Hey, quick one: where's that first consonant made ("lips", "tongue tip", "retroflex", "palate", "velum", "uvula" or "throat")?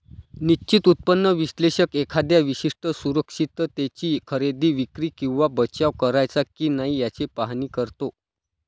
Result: tongue tip